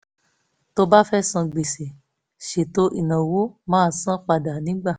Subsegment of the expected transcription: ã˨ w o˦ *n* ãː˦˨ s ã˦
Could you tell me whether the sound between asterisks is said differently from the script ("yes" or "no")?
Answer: yes